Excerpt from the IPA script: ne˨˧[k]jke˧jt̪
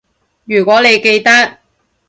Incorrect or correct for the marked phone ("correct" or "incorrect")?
incorrect